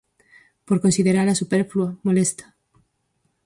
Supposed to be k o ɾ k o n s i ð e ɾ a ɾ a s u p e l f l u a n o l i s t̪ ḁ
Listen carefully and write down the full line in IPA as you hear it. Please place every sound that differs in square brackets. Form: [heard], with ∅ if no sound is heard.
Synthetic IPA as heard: [p] o ɾ k o n s i ð e ɾ a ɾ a s u p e [ɾ] f l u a [m] o l [e] s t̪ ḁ